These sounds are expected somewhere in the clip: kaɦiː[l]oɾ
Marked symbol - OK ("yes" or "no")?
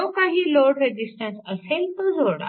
yes